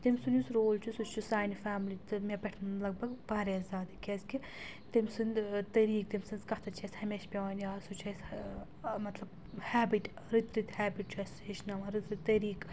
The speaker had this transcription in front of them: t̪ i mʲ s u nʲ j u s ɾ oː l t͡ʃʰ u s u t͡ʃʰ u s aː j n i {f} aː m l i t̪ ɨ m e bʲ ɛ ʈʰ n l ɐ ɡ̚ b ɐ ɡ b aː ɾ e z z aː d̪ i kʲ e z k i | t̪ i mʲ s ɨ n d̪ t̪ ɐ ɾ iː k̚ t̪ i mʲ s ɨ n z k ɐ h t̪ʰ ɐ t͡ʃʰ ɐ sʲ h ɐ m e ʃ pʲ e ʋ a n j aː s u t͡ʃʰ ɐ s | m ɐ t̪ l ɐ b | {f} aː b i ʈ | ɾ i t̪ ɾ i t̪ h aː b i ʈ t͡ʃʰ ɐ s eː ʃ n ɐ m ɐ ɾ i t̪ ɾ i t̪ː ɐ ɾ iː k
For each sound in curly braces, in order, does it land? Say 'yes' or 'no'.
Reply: yes, no

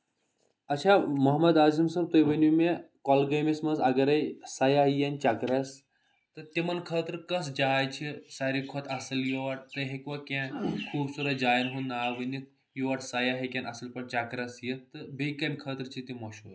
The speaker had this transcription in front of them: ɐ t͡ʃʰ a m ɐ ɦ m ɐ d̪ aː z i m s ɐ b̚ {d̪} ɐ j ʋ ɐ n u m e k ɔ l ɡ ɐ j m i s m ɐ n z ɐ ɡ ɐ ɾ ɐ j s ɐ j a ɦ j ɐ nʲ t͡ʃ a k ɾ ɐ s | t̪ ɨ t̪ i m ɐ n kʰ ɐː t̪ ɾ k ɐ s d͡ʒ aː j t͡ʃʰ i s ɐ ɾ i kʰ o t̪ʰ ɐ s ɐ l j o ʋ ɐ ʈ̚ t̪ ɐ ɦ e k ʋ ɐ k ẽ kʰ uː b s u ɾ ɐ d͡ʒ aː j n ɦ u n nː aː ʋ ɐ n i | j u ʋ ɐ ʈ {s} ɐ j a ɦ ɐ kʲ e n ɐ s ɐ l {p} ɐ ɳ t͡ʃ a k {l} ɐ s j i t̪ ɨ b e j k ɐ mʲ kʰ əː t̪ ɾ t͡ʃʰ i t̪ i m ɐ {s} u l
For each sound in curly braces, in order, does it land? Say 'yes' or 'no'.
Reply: no, yes, yes, no, no

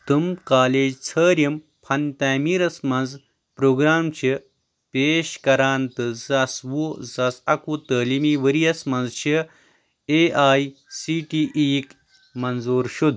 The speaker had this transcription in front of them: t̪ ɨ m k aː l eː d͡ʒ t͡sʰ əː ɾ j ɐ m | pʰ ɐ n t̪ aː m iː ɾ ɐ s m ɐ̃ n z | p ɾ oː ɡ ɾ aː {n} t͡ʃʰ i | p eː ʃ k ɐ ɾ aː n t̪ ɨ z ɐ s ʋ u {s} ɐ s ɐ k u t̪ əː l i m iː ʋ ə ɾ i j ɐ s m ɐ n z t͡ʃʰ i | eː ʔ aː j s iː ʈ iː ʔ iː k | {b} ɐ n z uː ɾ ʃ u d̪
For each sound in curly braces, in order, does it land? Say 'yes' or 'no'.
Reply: no, no, no

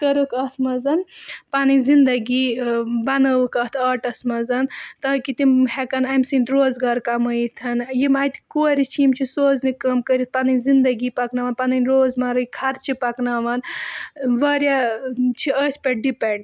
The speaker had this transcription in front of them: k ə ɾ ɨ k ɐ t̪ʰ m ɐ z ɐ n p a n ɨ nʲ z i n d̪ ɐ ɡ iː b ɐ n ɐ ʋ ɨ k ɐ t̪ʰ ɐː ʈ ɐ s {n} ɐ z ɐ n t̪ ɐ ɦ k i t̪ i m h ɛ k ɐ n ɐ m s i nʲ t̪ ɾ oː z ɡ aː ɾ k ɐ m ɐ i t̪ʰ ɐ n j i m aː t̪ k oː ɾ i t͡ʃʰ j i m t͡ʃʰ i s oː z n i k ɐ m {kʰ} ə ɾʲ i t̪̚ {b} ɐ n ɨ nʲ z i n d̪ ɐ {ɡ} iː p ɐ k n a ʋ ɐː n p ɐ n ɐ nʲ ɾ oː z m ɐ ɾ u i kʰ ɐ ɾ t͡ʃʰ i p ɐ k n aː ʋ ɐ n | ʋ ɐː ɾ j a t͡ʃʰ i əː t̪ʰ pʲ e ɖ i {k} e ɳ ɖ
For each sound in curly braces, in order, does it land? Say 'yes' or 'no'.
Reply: no, no, no, yes, no

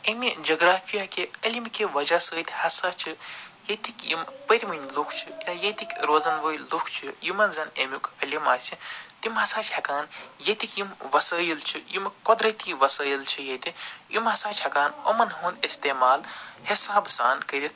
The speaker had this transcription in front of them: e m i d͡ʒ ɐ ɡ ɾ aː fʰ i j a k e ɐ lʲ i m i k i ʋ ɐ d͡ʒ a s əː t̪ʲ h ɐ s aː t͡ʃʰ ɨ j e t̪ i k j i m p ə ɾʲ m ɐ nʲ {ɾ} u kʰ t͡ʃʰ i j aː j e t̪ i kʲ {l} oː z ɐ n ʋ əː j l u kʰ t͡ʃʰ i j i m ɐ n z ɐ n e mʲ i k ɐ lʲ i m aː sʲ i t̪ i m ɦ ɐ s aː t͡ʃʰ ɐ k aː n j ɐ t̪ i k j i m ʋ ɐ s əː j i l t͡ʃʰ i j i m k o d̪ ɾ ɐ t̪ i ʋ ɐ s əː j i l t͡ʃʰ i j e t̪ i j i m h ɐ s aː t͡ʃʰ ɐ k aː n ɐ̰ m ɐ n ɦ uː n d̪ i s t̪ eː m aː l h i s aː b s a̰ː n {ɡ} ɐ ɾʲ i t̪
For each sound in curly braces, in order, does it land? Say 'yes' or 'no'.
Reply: no, no, no

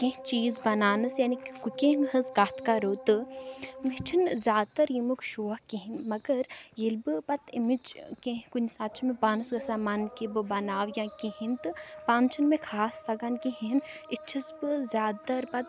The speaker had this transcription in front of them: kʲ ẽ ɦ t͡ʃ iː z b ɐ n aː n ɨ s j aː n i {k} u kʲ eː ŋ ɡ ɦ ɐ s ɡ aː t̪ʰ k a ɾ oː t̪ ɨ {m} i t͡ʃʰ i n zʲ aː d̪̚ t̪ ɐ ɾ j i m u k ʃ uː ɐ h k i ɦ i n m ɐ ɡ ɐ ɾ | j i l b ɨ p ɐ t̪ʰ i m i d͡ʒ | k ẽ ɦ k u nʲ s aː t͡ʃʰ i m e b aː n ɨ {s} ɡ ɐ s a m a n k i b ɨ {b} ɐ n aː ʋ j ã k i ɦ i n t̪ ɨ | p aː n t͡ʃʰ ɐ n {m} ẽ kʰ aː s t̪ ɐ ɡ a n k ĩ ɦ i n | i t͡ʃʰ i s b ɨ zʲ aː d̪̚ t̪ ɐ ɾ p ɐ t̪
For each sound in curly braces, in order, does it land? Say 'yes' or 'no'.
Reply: yes, yes, yes, yes, yes

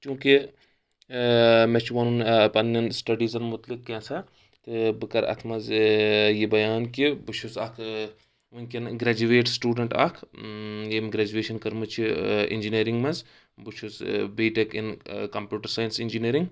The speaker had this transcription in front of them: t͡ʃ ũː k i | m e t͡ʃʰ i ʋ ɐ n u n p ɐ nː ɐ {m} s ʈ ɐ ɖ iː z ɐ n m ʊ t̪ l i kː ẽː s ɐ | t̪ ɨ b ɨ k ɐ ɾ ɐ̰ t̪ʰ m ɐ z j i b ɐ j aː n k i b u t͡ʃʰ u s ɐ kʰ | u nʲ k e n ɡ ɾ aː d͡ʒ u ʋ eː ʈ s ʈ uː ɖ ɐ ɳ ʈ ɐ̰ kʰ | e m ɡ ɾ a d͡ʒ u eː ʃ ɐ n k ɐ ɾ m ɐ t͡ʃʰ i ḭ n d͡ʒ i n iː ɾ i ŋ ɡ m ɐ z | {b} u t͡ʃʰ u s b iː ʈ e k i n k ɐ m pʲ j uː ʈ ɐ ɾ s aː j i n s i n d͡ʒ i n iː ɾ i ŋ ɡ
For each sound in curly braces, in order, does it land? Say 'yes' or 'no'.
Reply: no, yes

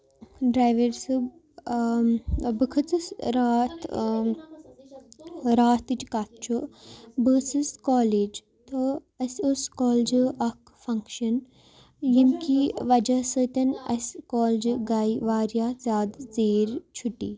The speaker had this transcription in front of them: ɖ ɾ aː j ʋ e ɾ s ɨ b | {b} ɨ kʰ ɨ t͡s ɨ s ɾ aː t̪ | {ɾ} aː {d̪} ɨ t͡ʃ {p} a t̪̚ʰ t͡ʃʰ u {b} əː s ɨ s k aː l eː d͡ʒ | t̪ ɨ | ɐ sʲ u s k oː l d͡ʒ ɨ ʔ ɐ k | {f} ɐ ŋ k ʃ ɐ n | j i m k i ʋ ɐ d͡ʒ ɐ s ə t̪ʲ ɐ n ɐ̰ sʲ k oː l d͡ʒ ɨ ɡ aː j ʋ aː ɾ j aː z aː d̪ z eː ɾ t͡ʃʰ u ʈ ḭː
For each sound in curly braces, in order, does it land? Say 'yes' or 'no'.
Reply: yes, yes, no, no, yes, yes

